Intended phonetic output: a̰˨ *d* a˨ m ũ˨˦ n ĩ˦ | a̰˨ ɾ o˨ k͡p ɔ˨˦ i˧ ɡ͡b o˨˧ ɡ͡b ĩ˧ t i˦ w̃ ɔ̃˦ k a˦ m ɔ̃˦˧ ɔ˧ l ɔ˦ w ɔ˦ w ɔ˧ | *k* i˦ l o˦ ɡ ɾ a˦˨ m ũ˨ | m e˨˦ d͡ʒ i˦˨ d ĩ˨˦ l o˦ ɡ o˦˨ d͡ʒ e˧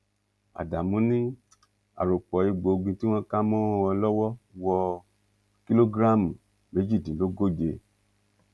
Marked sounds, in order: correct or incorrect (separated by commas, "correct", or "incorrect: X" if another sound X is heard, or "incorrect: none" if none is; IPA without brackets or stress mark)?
correct, correct